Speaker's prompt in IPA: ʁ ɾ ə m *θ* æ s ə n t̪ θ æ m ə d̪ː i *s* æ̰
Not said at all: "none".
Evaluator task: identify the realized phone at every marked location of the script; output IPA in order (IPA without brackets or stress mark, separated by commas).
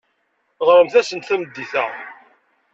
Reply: θ, θ